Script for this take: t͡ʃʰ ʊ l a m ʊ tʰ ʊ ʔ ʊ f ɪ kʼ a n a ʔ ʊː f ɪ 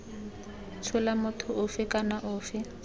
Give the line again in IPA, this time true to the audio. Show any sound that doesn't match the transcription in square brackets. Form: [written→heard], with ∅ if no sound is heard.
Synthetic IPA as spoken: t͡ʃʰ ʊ l a m ʊ tʰ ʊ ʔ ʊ f ɪ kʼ a n a ʔ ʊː f ɪ

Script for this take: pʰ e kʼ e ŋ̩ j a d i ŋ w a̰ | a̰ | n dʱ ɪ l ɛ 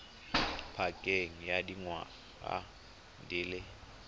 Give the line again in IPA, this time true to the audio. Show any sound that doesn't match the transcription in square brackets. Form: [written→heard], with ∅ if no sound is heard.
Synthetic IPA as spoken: pʰ [e→a] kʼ e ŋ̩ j a d i ŋ w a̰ | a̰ | n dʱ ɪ l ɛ

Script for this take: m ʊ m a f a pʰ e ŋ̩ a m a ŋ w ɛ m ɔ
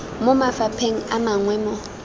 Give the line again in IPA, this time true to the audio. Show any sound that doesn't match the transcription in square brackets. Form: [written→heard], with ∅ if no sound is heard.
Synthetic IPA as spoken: m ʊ m a f a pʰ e ŋ̩ a m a ŋ w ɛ m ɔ

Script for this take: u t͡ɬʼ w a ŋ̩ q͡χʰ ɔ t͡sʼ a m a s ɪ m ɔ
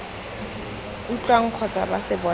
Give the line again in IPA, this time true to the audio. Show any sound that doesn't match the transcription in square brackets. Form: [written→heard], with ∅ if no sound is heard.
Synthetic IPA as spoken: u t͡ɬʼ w a ŋ̩ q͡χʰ ɔ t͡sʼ a [m→b] a s ɪ [m→b] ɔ

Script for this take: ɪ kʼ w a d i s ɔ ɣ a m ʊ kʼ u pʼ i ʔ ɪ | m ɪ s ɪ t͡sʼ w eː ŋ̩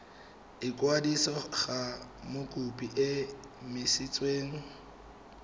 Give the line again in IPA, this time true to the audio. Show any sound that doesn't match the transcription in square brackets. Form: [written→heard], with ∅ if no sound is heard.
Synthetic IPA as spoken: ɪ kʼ w a d i s ɔ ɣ a m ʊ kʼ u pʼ i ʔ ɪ | m ɪ s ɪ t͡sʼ w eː ŋ̩

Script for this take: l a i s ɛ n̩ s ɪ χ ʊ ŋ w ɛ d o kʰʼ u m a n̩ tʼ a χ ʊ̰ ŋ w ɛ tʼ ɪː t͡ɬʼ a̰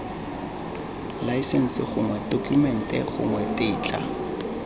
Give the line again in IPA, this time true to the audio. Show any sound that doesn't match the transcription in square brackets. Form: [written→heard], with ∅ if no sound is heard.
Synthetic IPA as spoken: l a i s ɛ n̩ s ɪ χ ʊ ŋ w ɛ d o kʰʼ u m [a→ɛ] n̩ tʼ [a→ɛ] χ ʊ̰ ŋ w ɛ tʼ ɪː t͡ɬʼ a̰

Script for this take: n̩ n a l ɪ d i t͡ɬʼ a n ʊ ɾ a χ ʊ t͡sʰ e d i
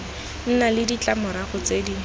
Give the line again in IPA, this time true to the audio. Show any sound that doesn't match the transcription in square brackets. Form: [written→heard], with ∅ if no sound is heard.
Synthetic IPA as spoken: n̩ n a l ɪ d i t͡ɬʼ a [n→m] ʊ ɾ a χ ʊ [t͡sʰ→t͡s] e d i

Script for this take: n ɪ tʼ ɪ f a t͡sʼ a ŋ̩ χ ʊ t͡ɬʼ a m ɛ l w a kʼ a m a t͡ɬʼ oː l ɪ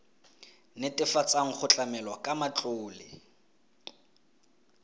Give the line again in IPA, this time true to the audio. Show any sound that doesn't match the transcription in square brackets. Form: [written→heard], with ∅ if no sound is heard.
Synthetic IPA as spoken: n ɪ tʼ ɪ f a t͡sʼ a ŋ̩ χ ʊ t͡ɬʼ a m ɛ l w a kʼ a m a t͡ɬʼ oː l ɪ

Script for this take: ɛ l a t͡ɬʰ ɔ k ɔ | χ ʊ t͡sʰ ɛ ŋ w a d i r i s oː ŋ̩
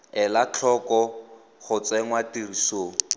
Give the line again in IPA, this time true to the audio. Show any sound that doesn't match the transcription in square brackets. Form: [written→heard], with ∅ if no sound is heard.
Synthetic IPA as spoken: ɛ l a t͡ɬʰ ɔ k ɔ | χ ʊ [t͡sʰ→t͡s] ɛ ŋ w a [d→t] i r i s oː ŋ̩

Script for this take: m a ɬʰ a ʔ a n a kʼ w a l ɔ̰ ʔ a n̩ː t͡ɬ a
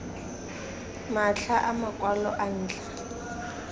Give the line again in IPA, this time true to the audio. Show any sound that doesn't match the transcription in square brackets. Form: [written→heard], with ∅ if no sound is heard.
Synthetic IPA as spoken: m a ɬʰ a ʔ a [n→m] a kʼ w a l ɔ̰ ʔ a n̩ː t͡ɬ a

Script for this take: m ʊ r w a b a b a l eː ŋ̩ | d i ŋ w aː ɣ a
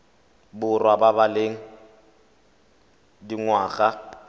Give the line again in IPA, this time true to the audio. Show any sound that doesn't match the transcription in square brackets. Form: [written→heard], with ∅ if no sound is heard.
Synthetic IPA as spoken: [m→b] ʊ r w a b a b a l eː ŋ̩ | d i ŋ w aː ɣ a

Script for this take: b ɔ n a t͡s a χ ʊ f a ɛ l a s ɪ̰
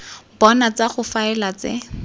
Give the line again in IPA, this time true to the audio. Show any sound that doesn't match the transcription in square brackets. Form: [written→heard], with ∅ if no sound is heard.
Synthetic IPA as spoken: b ɔ n a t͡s a χ ʊ f a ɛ l a [s→t͡s] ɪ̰

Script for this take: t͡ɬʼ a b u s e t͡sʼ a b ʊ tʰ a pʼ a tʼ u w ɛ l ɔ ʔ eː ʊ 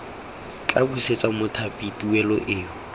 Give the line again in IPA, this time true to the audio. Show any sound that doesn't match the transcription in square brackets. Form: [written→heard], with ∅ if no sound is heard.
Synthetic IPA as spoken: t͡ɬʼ a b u s e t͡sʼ a [b→m] ʊ tʰ a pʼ [a→i] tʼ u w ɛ l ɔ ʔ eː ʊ

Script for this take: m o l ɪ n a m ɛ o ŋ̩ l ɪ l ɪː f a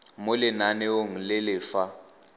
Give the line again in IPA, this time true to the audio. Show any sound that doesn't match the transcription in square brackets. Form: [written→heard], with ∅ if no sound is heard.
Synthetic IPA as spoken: m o l ɪ n a [m→n] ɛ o ŋ̩ l ɪ l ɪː f a

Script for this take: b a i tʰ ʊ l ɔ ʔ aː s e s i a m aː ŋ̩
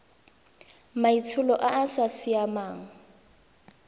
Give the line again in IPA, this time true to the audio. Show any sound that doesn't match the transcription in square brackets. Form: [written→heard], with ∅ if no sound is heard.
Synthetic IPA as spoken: [b→m] a i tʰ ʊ l ɔ ʔ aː s [e→a] s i a m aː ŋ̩

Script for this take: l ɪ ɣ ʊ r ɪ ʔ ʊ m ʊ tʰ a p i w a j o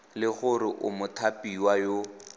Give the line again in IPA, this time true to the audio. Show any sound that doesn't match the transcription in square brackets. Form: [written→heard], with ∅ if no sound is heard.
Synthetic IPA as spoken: l ɪ ɣ ʊ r ɪ ʔ ʊ m ʊ tʰ a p i w a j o

